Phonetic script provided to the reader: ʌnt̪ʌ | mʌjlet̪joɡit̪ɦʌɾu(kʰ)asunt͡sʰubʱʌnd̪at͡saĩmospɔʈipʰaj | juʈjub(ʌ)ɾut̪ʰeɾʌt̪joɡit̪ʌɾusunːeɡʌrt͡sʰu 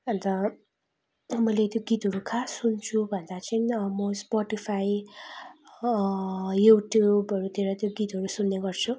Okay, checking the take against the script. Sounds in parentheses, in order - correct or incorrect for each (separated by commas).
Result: correct, correct